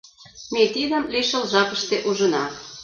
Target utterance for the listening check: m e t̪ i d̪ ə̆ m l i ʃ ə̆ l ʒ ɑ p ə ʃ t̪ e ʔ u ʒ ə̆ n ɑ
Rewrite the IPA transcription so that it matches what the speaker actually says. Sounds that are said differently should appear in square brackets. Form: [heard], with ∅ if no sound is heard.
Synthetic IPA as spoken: m e t̪ i d̪ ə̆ m l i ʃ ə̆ l ʒ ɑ p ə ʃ t̪ e ʔ u ʒ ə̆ n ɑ